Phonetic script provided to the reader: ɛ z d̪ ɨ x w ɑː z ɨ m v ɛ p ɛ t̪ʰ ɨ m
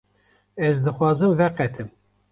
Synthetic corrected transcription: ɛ z d̪ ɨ x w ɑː z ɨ m v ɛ q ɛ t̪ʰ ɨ m